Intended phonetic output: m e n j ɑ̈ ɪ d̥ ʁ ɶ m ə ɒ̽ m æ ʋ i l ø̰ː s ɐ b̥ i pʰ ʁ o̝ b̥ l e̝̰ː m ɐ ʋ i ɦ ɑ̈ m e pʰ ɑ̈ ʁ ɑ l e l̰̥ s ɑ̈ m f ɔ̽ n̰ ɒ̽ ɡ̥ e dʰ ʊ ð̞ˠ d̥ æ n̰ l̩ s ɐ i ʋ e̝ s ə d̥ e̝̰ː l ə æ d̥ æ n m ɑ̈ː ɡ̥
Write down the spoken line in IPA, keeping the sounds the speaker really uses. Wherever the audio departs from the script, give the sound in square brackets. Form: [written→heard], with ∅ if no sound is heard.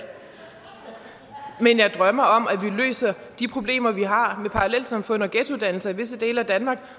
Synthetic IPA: m e n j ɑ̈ ɪ d̥ ʁ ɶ m [ə→ɐ] ɒ̽ m æ ʋ i l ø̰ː s ɐ [b̥→d̥] i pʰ ʁ o̝ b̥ l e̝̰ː m ɐ ʋ i ɦ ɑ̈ m e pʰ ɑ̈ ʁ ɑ l e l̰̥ s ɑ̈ m f ɔ̽ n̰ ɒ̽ ɡ̥ e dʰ [ʊ→u] ð̞ˠ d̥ æ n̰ l̩ s ɐ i ʋ e̝ s ə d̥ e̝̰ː l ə æ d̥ æ n m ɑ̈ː ɡ̥